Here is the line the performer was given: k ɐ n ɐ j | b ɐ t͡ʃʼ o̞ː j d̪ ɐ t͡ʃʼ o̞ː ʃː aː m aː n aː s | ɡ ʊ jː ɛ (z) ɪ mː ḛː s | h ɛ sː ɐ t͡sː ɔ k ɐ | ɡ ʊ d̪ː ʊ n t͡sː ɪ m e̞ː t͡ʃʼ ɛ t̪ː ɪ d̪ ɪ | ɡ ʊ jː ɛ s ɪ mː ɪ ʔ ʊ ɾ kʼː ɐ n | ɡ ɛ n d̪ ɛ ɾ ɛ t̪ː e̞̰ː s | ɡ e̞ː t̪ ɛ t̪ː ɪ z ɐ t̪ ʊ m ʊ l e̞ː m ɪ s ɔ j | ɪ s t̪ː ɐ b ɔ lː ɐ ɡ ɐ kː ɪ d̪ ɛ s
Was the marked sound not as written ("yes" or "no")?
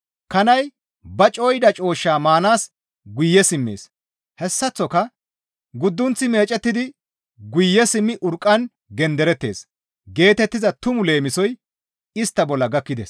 yes